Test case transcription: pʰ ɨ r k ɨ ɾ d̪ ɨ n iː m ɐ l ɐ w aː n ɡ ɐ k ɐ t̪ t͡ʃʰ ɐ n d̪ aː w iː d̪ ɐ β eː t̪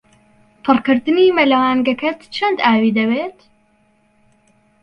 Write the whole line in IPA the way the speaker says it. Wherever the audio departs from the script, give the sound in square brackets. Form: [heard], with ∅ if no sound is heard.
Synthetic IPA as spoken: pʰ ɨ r k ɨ ɾ d̪ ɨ n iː m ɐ l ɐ w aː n ɡ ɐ k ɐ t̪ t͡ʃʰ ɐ n d̪ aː w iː d̪ ɐ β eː t̪